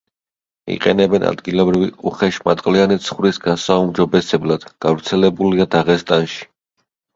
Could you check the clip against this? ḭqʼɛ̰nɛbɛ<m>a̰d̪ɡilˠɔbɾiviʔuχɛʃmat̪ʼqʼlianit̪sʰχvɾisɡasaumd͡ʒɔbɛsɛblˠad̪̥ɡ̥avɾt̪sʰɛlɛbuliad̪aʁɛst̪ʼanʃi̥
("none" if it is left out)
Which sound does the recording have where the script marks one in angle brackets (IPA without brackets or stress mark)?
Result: n